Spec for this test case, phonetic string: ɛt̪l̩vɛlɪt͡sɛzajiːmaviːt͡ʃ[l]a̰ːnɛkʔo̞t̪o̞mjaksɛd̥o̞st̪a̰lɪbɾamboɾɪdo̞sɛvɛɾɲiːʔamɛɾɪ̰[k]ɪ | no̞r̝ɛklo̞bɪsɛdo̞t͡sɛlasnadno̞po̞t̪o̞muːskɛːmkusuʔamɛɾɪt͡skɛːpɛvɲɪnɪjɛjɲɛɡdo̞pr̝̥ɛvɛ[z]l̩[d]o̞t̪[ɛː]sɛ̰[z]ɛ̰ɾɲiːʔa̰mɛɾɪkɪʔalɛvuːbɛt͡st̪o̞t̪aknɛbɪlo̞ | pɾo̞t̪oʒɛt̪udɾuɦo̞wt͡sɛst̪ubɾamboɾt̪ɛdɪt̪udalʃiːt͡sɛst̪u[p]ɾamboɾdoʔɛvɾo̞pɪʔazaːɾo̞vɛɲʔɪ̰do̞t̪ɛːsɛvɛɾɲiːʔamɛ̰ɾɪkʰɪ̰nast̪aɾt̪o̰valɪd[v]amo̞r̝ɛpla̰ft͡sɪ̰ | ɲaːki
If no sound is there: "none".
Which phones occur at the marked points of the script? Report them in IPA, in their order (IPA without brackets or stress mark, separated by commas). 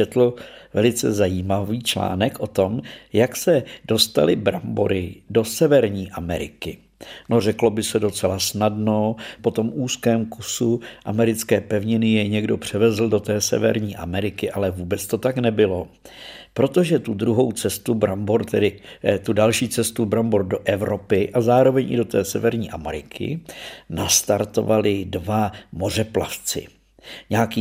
l, k, z, d, ɛː, v, b, v